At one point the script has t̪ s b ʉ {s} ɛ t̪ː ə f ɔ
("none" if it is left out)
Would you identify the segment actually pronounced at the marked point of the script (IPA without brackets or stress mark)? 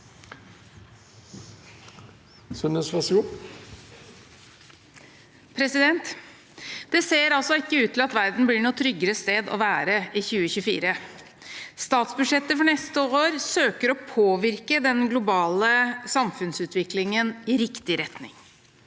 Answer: ʂ